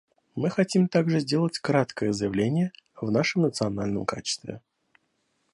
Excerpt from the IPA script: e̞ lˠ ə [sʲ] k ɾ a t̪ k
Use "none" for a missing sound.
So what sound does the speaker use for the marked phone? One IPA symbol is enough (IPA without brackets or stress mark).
tʲ